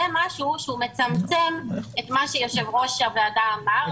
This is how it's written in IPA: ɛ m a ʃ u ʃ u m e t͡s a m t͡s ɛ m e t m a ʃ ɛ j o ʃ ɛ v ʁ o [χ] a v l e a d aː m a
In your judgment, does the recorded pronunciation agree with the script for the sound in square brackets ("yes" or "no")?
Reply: no